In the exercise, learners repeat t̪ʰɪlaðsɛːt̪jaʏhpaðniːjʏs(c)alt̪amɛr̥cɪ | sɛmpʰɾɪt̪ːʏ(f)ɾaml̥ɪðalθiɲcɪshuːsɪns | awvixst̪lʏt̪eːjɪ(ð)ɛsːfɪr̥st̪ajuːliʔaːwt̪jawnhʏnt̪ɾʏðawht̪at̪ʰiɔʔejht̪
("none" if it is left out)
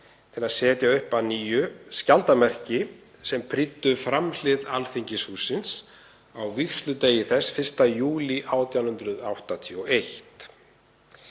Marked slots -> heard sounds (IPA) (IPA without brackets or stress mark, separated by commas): c, f, θ